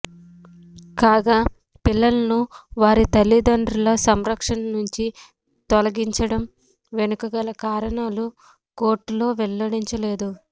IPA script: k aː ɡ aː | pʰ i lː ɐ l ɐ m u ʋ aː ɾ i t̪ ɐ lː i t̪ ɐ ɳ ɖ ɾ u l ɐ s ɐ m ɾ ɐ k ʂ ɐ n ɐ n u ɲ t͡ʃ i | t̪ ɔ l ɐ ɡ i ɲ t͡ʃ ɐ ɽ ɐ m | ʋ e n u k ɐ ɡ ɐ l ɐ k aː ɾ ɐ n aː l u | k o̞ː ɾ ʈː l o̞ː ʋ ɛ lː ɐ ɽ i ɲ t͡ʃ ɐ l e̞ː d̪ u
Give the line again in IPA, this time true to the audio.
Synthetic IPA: k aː ɡ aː | p i lː ɐ l ɐ n u ʋ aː ɾ i t̪ ɐ lː i d̪ ɐ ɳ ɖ ɾ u l ɐ s ɐ m ɾ ɐ k ʂ ɐ n ɐ n u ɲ t͡ʃ i | t̪ ɔ l ɐ ɡ i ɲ t͡ʃ ɐ ɽ ɐ m | ʋ e n u k ɐ ɡ ɐ l ɐ k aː ɾ ɐ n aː l u | k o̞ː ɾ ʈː l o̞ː ʋ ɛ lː ɐ ɽ i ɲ t͡ʃ ɐ l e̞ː d̪ u